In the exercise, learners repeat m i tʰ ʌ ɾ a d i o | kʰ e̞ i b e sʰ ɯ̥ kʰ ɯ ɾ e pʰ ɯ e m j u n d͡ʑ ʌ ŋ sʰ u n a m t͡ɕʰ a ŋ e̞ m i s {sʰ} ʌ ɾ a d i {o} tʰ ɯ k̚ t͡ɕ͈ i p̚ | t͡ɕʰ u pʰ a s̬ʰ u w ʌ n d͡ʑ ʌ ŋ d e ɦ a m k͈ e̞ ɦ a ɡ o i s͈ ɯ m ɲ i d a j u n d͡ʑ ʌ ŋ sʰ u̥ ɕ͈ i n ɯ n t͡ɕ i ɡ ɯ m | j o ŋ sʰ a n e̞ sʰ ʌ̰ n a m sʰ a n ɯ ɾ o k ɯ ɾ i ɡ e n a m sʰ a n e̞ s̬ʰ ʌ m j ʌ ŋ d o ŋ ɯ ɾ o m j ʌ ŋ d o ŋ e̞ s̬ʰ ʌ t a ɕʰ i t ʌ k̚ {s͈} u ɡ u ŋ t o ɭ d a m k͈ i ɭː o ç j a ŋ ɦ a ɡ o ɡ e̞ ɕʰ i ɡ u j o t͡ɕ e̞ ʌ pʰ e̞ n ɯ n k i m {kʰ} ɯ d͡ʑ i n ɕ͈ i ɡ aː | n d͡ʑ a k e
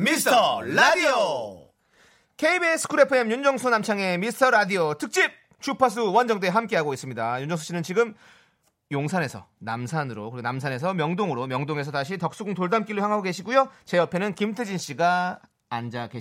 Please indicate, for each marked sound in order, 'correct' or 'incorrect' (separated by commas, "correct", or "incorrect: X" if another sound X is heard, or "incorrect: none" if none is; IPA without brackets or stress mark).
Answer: incorrect: tʰ, correct, correct, incorrect: tʰ